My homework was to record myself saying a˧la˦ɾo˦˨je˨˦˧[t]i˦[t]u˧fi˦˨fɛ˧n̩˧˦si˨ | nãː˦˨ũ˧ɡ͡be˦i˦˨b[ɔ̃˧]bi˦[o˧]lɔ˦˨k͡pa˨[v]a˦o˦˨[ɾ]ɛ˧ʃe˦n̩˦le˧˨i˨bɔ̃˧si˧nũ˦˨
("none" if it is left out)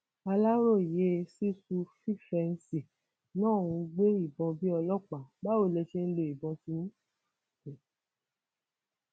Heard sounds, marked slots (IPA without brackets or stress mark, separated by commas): s, s, ɔ̃˧, ɔ˧, b, l